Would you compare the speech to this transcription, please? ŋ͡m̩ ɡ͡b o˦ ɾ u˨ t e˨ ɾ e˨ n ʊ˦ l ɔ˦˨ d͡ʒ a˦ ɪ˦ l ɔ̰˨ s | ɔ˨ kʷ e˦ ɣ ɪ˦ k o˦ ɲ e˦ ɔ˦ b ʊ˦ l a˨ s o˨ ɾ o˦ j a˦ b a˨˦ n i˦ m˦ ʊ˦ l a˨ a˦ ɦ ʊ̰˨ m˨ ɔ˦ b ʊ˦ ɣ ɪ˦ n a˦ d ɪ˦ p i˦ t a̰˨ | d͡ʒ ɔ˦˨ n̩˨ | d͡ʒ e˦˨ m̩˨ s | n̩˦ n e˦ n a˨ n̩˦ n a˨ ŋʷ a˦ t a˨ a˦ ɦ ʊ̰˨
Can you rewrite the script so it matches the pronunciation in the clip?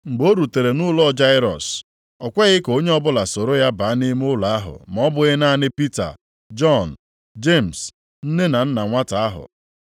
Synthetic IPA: ŋ͡m̩ ɡ͡b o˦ ɾ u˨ t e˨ ɾ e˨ n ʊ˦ l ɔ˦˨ d͡ʒ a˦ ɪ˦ ɾ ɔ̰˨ s | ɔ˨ kʷ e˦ ɣ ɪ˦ k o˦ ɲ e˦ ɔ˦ b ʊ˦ l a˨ s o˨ ɾ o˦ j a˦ b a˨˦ n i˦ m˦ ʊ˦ l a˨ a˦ ɦ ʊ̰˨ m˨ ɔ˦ b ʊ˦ ɣ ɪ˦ n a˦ n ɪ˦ p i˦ t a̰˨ | d͡ʒ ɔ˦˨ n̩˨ | d͡ʒ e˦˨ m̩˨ s | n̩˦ n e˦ n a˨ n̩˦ n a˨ ŋʷ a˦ t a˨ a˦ ɦ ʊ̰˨